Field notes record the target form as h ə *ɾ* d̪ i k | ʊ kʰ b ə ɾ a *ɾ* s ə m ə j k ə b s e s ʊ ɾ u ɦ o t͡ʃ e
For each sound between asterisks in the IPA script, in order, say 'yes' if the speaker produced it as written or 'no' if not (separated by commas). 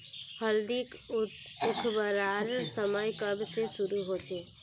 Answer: no, yes